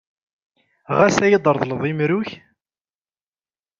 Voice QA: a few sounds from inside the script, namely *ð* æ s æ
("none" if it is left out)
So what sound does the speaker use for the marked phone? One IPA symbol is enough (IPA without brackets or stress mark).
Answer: ʁ